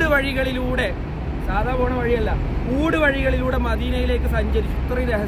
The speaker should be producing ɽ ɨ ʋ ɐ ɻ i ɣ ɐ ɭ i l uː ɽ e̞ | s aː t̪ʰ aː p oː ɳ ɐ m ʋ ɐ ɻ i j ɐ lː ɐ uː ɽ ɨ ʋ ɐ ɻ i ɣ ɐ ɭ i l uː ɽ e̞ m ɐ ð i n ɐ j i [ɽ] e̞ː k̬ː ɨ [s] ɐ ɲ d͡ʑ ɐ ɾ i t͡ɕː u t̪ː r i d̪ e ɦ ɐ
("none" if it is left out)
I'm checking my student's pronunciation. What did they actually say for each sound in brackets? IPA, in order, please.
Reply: l, s

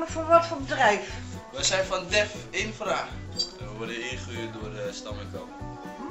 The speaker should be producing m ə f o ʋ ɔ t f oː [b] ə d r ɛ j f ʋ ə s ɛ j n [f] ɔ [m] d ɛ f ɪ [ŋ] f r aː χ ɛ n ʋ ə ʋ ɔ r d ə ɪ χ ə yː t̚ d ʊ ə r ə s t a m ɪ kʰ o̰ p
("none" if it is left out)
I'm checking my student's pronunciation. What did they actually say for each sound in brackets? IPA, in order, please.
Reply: b, f, n, n

